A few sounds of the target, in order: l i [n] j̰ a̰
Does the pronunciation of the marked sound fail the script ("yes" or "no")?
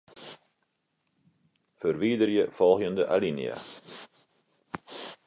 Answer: no